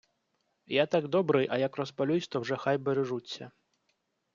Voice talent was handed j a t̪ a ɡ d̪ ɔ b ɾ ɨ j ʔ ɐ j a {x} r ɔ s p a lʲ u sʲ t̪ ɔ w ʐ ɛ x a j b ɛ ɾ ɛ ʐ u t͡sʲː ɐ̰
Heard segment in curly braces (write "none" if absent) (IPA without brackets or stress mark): k